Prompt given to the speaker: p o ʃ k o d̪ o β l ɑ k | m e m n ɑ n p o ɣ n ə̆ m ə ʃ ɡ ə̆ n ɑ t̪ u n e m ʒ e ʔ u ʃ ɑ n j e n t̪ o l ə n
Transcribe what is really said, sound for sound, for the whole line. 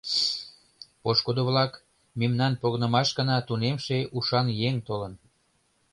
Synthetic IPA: p o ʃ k o d̪ o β l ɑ k | m e m n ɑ n p o ɣ n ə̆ m ɑ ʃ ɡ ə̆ n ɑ t̪ u n e m ʃ e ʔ u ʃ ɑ n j e ŋ t̪ o l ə n